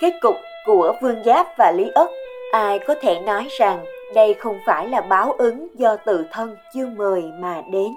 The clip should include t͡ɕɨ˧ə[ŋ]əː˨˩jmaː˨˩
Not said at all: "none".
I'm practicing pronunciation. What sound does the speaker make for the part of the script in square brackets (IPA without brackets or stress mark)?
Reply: m